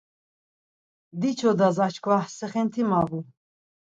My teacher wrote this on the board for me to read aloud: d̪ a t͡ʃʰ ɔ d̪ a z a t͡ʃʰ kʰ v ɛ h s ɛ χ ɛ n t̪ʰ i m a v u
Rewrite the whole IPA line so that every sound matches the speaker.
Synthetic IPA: d̪ i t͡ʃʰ ɔ d̪ a z a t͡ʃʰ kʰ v a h s ɛ χ ɛ n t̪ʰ i m a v u